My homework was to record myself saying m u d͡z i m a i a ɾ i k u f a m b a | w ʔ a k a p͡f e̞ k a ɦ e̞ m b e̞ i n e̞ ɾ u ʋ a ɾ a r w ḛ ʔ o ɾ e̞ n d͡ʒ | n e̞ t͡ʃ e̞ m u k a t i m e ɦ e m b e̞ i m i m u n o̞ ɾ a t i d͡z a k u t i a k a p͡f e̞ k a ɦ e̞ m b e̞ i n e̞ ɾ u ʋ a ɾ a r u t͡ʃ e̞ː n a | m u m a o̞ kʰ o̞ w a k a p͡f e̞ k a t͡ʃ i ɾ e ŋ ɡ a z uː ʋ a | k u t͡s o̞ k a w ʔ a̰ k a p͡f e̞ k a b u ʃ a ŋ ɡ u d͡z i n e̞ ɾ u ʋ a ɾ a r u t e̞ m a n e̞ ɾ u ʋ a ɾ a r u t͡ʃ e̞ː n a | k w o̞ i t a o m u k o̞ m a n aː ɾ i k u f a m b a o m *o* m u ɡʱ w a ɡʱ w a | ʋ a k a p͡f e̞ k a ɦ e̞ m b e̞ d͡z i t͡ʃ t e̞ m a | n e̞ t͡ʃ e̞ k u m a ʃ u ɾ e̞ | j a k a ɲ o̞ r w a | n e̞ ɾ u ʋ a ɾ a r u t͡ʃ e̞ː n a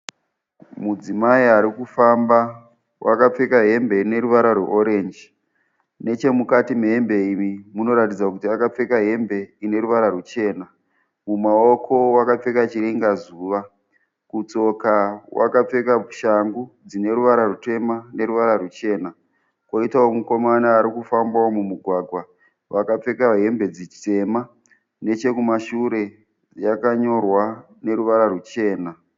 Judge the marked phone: incorrect: u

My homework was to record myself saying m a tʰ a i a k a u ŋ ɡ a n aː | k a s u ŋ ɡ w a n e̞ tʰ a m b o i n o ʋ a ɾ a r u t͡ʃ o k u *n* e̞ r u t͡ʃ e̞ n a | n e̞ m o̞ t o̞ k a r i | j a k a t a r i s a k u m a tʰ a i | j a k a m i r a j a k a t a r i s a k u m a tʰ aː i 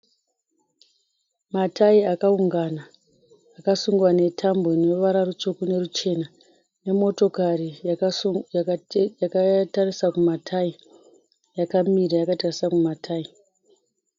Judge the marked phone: correct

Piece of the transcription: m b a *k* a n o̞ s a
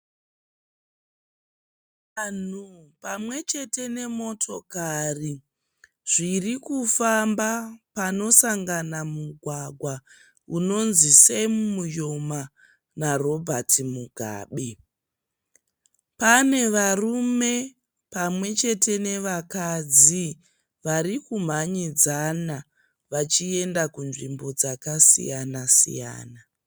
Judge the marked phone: incorrect: p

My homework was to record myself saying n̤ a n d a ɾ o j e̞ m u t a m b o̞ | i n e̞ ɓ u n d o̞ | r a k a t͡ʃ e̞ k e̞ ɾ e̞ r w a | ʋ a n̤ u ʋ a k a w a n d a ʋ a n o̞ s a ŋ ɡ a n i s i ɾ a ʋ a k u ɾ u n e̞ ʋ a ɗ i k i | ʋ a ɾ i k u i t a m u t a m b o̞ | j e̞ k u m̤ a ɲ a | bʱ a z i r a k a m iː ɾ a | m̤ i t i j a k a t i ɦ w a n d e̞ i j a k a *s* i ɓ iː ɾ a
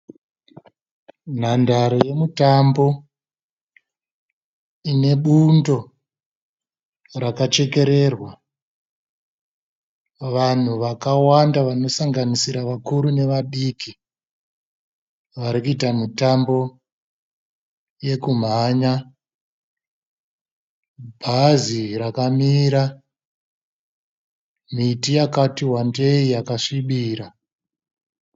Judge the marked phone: incorrect: ʂ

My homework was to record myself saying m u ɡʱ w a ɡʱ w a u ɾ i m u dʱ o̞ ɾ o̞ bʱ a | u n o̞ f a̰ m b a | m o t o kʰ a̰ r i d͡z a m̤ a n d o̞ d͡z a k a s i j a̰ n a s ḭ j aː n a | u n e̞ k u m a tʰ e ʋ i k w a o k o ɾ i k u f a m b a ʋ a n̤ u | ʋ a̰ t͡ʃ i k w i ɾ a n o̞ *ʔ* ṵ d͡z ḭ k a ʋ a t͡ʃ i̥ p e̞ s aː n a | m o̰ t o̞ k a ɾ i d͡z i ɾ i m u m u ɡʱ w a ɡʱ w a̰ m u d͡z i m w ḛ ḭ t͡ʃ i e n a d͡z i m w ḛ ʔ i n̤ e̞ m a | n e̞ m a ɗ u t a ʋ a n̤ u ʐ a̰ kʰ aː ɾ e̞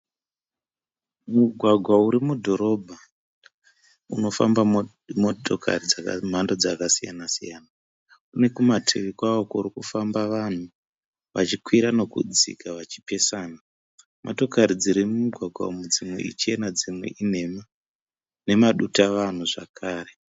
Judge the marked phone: incorrect: k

